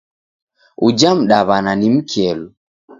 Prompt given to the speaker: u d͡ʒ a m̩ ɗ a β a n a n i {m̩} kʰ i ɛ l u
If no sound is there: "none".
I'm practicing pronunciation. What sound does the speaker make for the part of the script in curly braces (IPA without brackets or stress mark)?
m̩